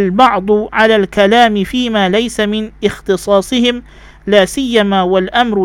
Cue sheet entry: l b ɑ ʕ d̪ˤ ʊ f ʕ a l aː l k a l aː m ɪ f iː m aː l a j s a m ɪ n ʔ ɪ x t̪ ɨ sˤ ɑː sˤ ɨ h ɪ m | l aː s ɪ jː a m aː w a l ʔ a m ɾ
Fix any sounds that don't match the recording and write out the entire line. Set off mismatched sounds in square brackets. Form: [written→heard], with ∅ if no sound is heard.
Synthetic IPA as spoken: l b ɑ ʕ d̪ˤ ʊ [f→∅] ʕ a l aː l k a l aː m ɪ f iː m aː l a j s a m ɪ n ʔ ɪ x t̪ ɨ sˤ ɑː sˤ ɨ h ɪ m | l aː s ɪ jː a m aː w a l ʔ a m ɾ